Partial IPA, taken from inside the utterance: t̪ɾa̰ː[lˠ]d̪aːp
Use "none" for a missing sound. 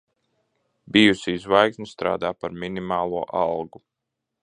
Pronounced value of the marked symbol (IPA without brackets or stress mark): none